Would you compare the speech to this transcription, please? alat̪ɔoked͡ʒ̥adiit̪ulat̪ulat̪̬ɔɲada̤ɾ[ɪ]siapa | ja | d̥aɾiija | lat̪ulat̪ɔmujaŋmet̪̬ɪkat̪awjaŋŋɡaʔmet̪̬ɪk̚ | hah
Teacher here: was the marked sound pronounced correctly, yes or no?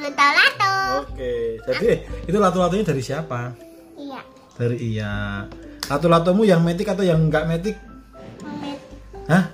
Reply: no